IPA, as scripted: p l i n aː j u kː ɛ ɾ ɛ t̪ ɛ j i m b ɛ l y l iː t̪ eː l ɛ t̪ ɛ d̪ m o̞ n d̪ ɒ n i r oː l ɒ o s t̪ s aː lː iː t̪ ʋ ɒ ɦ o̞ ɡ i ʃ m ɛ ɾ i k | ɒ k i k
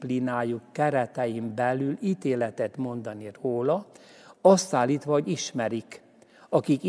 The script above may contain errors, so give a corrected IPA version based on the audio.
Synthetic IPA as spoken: p l i n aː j u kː ɛ ɾ ɛ t̪ ɛ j i m b ɛ l y l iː t̪ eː l ɛ t̪ ɛ t̪ m o̞ n d̪ ɒ n i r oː l ɒ ɒ s t̪ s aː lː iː t̪ ʋ ɒ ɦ o̞ ɟ i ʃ m ɛ ɾ i k | ɒ k i k